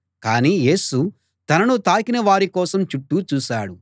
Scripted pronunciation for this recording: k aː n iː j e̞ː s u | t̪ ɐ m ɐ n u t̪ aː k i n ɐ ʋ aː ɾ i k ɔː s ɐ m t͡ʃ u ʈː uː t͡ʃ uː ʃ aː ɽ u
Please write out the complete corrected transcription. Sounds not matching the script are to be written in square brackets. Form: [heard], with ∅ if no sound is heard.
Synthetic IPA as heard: k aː n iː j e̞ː s u | t̪ ɐ [n] ɐ n u t̪ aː k i n ɐ ʋ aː ɾ i k ɔː s ɐ m t͡ʃ u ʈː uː t͡ʃ uː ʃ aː ɽ u